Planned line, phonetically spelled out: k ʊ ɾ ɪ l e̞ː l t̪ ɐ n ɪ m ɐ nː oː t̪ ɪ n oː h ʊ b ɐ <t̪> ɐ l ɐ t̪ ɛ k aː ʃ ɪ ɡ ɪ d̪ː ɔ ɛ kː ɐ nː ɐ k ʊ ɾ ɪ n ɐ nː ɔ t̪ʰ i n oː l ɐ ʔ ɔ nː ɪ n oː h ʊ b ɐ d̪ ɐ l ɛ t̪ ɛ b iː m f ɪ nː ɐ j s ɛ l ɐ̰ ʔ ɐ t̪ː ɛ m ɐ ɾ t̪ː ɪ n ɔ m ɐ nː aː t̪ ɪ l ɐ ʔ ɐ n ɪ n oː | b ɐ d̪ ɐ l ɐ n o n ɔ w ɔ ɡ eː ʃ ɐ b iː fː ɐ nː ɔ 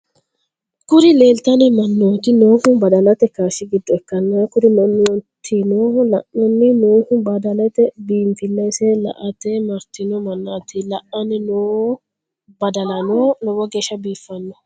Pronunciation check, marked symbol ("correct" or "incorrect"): incorrect